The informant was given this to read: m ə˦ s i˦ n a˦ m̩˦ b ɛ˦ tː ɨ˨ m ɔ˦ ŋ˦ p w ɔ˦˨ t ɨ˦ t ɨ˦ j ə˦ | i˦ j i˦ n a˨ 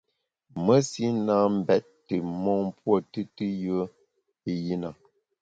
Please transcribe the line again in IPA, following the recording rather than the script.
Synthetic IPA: m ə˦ s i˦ n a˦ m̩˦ b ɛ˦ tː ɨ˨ m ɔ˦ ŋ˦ p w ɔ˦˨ t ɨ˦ t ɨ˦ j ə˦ | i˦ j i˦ n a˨